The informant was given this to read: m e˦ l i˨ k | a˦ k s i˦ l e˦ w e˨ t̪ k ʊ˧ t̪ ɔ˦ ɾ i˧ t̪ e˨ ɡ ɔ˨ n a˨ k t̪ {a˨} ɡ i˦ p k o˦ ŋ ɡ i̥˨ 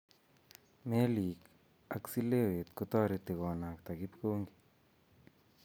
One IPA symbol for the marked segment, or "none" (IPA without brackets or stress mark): a˨